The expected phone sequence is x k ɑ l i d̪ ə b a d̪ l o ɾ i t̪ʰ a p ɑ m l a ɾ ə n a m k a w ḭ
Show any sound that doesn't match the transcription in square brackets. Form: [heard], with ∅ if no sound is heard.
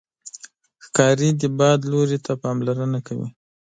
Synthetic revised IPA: x k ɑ [ɾ] i d̪ ə b [ɑ] d̪ l o ɾ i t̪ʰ a p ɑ m l a ɾ ə n a [∅] k a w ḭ